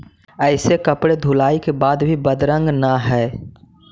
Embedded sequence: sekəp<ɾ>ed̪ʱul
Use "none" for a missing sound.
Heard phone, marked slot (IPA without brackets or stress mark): ɽ